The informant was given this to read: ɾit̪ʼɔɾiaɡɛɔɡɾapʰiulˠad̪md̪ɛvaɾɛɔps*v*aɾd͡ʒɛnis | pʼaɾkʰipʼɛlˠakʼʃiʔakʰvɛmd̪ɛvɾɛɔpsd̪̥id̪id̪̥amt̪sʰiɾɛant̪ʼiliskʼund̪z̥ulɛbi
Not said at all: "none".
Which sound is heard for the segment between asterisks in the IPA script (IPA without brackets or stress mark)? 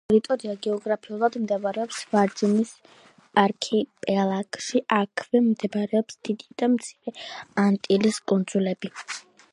v